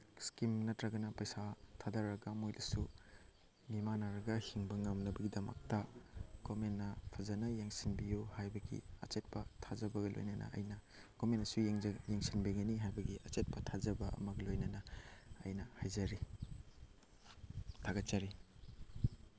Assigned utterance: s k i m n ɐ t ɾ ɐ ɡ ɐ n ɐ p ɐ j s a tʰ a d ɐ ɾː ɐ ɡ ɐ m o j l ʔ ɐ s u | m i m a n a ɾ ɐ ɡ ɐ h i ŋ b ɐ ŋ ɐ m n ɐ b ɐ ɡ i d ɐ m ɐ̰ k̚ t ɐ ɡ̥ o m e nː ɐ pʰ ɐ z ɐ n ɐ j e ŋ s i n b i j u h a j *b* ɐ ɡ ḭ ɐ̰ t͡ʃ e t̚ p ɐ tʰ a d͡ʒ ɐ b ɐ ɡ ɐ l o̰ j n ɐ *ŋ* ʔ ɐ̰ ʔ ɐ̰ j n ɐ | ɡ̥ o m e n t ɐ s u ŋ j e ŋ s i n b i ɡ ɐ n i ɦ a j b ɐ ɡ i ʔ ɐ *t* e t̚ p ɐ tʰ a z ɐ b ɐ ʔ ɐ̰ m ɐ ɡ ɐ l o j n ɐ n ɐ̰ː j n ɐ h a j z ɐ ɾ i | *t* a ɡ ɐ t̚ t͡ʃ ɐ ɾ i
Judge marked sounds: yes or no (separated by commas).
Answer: yes, no, no, no